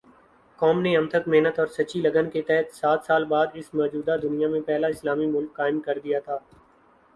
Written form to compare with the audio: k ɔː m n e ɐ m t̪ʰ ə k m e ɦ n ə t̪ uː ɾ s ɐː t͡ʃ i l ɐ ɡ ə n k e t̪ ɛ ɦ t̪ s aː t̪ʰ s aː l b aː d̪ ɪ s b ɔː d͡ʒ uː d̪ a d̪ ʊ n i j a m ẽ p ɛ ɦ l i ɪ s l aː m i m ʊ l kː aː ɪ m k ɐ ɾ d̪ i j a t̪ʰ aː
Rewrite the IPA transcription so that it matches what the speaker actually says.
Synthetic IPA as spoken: k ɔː m n e ɐ m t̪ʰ ə k m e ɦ n ə t̪ ɔː ɾ s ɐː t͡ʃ i l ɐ ɡ ə n k e t̪ ɛ ɦ t̪ s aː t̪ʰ s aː l b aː d̪ ɪ s m ɔː d͡ʒ uː d̪ a d̪ ʊ n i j a m ẽ p ɛ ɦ l a ɪ s l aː m i m ʊ l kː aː ɪ m k ɐ ɾ d̪ i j a t̪ʰ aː